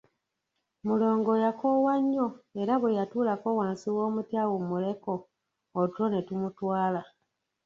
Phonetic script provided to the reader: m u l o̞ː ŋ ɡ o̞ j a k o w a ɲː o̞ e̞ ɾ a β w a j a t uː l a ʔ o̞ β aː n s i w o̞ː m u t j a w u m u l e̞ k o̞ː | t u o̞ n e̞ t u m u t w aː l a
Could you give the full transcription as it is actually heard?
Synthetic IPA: m u l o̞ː ŋ ɡ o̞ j a k o w a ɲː o̞ e̞ ɾ a β w e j a t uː l a k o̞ w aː n s i w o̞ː m u t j a w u m u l e̞ k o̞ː | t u o̞ n e̞ t u m u t w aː l a